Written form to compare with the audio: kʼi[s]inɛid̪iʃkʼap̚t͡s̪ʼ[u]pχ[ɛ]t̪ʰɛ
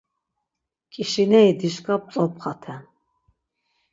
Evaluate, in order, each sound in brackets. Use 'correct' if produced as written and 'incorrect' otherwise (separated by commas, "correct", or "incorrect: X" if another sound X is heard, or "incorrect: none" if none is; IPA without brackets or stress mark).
incorrect: ʃ, incorrect: ɔ, incorrect: a